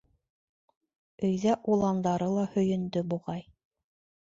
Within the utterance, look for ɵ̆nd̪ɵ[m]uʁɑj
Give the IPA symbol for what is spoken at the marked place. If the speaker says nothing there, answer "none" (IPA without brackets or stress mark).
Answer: b